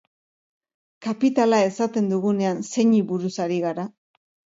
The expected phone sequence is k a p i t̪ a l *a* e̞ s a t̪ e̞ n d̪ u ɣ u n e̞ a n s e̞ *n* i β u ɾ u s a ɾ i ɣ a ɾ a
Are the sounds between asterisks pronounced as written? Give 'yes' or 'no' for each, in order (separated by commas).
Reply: yes, no